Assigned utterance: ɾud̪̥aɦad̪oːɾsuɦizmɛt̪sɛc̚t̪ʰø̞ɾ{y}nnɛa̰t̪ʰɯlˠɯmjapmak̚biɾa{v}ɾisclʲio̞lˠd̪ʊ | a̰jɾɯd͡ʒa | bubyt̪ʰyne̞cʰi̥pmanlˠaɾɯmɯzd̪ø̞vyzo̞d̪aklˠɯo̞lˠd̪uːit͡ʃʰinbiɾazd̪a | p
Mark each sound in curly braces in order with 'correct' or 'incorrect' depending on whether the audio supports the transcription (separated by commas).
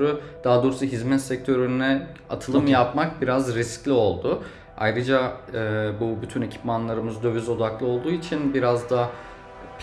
correct, incorrect